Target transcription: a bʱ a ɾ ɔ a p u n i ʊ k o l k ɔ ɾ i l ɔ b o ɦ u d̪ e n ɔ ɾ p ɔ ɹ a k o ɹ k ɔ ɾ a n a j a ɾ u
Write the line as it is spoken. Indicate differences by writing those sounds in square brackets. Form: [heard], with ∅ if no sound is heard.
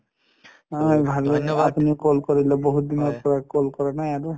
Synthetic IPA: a bʱ a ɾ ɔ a p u n i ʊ k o l k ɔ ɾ i l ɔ b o ɦ u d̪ [i] n ɔ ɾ p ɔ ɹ a k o [l] k ɔ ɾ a n a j a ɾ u